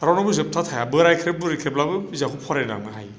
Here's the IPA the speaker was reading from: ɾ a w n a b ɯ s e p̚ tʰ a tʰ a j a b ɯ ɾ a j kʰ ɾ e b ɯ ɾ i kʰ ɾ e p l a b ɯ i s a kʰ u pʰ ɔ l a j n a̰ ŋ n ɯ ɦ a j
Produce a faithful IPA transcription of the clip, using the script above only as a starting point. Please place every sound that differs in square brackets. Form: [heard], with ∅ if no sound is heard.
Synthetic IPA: ɾ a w n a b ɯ [z] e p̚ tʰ a tʰ a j a b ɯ ɾ a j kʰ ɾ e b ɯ ɾ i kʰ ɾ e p l a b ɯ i [z] a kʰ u pʰ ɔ [ɾ] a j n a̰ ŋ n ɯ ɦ a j